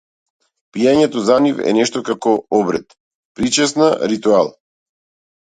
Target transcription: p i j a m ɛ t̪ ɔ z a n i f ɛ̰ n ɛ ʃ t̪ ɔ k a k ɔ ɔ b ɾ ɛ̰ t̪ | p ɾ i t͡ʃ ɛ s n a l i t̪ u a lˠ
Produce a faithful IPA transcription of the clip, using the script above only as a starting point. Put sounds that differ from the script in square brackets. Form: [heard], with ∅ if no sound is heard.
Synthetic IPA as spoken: p i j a [ɲ] ɛ t̪ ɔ z a n i f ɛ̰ n ɛ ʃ t̪ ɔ k a k ɔ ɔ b ɾ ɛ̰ t̪ | p ɾ i t͡ʃ ɛ s n a [ɾ] i t̪ u a lˠ